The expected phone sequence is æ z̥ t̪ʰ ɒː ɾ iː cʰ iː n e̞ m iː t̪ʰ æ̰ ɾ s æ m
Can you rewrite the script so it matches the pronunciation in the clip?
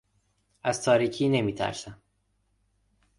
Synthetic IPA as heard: æ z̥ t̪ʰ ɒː ɾ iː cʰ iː n e̞ m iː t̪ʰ æ̰ ɾ s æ m